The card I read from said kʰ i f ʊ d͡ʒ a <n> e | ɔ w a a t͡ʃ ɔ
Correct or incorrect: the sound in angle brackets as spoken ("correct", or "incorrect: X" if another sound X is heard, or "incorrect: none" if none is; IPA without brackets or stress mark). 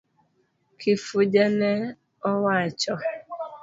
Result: correct